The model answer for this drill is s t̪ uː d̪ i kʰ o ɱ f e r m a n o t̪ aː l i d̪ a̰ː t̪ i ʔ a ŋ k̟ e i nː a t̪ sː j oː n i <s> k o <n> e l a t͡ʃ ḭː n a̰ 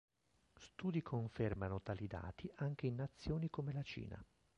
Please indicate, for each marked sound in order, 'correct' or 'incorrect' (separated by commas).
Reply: incorrect, incorrect